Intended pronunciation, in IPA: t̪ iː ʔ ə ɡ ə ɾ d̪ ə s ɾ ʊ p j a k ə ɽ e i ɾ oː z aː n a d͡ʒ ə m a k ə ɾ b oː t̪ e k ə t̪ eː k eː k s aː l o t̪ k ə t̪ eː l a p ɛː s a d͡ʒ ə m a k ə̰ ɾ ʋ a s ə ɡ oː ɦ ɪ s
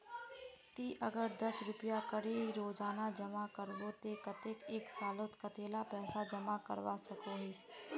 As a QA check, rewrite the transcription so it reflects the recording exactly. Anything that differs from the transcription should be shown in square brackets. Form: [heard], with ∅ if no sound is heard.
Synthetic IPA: t̪ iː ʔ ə ɡ ə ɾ d̪ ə s ɾ ʊ p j a k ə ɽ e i ɾ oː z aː n a d͡ʒ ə m a k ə ɾ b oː t̪ e k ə t̪ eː k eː k s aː l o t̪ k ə t̪ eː l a p ɛː s a d͡ʒ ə m a k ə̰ ɾ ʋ a s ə [k] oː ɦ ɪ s

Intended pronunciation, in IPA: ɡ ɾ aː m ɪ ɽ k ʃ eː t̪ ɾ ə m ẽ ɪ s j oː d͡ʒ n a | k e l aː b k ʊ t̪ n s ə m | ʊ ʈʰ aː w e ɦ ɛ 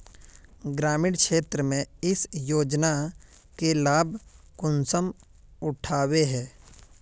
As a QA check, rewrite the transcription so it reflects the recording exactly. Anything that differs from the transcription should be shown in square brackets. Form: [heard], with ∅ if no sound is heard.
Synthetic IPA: ɡ ɾ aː m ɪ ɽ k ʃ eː t̪ ɾ ə m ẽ ɪ s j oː d͡ʒ n a | k e l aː b k ʊ [∅] n s ə m | ʊ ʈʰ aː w e ɦ [ɛː]

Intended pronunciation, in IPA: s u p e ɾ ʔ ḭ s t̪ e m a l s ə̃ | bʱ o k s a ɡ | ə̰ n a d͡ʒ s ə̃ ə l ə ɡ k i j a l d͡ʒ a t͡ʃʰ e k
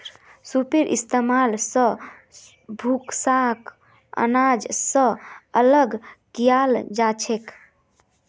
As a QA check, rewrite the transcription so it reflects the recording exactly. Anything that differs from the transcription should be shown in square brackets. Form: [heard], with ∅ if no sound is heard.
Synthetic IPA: s u p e ɾ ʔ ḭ s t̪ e m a l s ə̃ | bʱ [u] k s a [k] | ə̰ n a d͡ʒ s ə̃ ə l ə ɡ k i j a l d͡ʒ a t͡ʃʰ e k

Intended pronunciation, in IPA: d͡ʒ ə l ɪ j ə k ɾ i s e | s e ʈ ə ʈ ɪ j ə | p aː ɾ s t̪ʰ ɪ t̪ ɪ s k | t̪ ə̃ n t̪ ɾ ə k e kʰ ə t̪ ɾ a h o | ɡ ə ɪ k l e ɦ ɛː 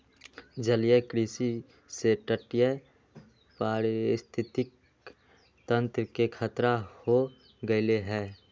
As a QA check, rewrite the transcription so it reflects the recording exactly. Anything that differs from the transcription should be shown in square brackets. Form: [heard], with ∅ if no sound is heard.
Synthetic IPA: d͡ʒ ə l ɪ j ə k ɾ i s [i] | s e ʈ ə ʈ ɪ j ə | p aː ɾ s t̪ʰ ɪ t̪ ɪ [∅] k | t̪ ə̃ n t̪ ɾ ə k e kʰ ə t̪ ɾ a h o | ɡ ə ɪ [∅] l e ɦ ɛː

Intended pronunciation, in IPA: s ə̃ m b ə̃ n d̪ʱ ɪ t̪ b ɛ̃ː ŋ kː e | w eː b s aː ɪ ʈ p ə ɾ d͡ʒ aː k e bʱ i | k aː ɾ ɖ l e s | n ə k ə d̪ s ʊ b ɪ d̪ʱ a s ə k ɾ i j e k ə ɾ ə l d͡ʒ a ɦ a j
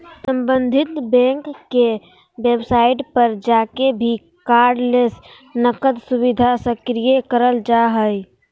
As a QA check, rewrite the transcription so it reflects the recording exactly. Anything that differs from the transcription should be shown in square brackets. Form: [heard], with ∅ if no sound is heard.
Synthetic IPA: s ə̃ m b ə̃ n d̪ʱ ɪ t̪ b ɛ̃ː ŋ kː e | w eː b s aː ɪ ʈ p ə ɾ d͡ʒ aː k e bʱ i | k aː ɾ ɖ l e s | n ə k ə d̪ s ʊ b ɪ d̪ʱ a s ə k ɾ i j e k ə ɾ ə l d͡ʒ a ɦ [ə] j

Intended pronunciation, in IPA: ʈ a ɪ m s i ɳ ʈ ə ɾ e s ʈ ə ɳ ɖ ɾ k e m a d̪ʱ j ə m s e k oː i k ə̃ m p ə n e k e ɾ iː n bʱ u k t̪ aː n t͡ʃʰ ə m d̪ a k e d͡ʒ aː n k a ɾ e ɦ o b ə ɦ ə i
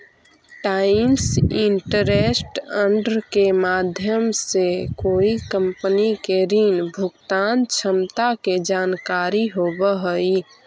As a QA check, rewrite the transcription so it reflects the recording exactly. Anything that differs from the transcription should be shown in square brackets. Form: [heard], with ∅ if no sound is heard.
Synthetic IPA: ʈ a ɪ m s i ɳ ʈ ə ɾ e s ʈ ə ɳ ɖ ɾ k e m a d̪ʱ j ə m s e k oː i k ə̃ m p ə n [i] k e ɾ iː n bʱ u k t̪ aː n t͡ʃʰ ə m [t̪] a k e d͡ʒ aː n k a ɾ [i] ɦ o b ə ɦ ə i

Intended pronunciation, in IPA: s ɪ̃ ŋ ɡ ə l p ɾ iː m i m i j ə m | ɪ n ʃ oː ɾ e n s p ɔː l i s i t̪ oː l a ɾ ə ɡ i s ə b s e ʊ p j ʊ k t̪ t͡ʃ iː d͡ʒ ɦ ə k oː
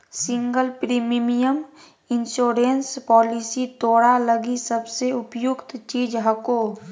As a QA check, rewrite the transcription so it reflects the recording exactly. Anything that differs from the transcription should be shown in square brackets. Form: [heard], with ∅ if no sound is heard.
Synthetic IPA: s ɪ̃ ŋ ɡ ə l p ɾ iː m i m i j ə m | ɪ n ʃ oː ɾ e n s p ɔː l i s i t̪ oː [ɽ] a [l] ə ɡ i s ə b s e ʊ p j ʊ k t̪ t͡ʃ iː d͡ʒ ɦ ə k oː

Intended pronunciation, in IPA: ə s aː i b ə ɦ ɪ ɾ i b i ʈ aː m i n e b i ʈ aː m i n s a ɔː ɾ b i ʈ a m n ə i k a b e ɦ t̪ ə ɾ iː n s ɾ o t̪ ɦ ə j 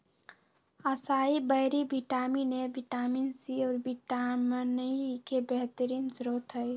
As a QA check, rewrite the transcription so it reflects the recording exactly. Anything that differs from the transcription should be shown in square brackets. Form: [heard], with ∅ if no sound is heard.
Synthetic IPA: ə s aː i b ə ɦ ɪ ɾ i b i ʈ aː m i n e b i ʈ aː m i n s [i] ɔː ɾ b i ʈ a m n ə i k [e] b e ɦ t̪ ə ɾ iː n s ɾ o t̪ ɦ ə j

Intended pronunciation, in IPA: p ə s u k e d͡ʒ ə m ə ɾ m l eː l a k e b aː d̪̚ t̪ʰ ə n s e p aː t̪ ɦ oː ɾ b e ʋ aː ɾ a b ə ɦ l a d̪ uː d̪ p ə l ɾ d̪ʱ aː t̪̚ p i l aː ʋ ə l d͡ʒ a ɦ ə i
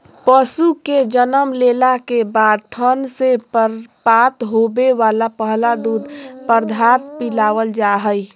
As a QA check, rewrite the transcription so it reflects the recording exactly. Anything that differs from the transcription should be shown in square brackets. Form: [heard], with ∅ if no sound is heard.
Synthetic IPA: p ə s u k e d͡ʒ ə [n] ə [∅] m l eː l a k e b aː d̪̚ t̪ʰ ə n s e p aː t̪ ɦ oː [∅] b e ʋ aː [l] a [p] ə ɦ l a d̪ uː d̪ p ə [∅] ɾ d̪ʱ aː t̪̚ p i l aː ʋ ə l d͡ʒ a ɦ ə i

